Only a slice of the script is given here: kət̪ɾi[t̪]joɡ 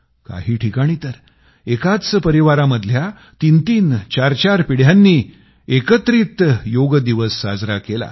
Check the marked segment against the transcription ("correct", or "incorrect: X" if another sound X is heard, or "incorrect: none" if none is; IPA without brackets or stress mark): correct